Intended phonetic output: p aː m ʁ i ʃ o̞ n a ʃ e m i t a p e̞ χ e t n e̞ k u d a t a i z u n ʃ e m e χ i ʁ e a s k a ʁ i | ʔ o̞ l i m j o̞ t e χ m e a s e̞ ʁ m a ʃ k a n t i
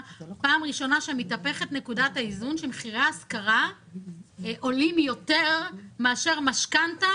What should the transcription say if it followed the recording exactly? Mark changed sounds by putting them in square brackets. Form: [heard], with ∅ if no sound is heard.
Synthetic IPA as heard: p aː m ʁ i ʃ o̞ n a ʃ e m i t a p e̞ χ e t n e̞ k u d a t a i z u n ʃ e m e χ i ʁ e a s k a ʁ [a] | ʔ o̞ l i m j o̞ t e [ʁ] m e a [ʃ] e̞ ʁ m a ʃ k a n t [a]